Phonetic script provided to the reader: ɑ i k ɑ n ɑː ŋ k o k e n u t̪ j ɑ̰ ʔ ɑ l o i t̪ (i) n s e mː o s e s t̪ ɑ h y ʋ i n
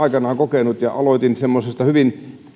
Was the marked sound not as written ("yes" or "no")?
no